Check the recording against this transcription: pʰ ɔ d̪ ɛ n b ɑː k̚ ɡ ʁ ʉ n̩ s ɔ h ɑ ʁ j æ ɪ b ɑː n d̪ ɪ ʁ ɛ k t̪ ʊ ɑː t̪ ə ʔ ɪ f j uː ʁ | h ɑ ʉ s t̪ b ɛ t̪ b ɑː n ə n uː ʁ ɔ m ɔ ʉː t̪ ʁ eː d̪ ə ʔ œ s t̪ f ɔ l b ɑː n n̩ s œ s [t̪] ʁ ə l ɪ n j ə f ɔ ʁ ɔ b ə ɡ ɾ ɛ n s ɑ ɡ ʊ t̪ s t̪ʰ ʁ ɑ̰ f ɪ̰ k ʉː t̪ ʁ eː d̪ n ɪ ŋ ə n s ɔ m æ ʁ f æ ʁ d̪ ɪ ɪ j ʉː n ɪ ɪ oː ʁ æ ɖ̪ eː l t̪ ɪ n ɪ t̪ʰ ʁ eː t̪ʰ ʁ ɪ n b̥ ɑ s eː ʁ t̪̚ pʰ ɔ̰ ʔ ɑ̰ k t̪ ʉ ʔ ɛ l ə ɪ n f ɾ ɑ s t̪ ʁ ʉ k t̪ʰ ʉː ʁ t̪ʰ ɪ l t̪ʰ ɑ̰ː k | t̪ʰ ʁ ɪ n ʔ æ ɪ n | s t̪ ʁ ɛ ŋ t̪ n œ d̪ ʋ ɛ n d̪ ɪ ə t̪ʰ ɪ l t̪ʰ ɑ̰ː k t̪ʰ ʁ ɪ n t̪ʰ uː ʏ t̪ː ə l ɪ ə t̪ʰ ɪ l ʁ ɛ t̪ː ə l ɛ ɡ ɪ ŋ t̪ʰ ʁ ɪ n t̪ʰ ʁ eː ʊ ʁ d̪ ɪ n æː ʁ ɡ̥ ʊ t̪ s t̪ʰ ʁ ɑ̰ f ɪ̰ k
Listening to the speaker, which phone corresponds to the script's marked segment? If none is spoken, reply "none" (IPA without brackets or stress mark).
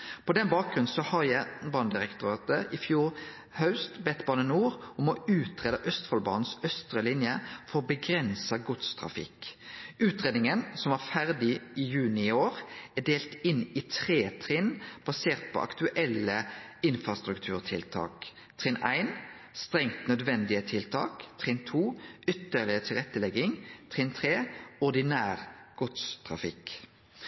t̪